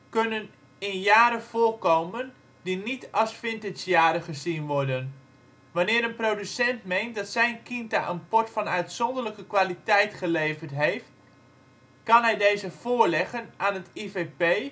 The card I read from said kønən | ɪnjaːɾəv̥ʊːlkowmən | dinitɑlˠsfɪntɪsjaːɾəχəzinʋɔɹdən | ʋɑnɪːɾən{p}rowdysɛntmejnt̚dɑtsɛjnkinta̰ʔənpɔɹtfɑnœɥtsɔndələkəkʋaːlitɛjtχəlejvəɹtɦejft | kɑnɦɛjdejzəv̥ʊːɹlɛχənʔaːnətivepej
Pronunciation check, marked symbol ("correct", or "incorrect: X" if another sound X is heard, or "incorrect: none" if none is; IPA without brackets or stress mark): correct